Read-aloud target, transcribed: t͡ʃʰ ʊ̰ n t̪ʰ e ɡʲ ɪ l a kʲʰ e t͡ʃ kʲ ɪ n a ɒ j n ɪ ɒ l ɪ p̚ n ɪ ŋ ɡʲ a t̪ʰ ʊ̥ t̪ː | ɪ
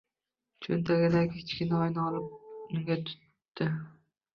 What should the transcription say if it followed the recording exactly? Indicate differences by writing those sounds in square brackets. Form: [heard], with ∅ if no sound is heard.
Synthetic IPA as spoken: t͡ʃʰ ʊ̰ n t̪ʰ [a] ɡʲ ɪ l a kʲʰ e t͡ʃ kʲ ɪ n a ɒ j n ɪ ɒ l ɪ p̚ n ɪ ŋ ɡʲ a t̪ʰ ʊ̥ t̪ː | ɪ